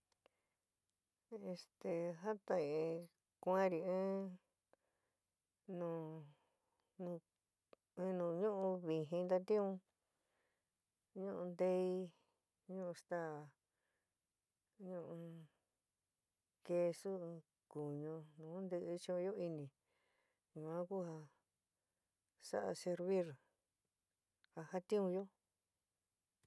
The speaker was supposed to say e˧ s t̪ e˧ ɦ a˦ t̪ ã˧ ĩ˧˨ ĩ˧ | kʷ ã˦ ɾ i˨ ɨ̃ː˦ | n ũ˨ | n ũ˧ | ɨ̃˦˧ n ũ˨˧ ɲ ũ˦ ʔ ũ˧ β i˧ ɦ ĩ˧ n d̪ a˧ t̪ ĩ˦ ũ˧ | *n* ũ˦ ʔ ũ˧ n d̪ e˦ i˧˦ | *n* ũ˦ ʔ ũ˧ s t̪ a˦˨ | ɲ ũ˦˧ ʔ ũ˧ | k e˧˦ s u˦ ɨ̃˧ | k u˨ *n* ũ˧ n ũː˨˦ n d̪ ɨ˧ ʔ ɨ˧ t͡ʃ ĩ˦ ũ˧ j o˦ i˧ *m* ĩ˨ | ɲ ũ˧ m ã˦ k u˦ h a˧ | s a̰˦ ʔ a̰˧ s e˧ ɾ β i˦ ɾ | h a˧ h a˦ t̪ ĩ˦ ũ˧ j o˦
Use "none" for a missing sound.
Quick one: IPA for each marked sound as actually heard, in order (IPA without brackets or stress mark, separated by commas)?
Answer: ɲ, ɲ, ɲ, n